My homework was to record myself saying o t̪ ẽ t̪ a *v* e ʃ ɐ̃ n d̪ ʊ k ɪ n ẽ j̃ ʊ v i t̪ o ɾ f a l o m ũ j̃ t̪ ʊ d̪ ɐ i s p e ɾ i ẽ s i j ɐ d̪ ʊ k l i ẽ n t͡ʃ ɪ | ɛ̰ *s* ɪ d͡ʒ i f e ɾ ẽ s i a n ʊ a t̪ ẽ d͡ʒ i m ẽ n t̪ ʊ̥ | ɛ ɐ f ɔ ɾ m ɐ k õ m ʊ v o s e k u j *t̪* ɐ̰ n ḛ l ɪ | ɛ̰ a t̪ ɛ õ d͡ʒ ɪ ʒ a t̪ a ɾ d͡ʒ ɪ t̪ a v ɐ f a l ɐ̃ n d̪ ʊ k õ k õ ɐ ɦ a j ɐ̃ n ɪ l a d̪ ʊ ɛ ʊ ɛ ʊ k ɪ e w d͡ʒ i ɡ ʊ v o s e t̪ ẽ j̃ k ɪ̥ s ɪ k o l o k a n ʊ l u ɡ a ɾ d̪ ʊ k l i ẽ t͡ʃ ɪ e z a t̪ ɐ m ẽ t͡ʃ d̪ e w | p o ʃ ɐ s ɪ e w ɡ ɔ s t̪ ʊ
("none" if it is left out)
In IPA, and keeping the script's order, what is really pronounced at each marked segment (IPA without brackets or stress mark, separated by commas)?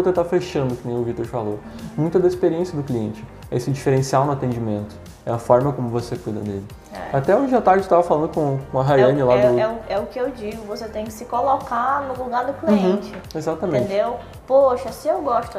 f, s, d̪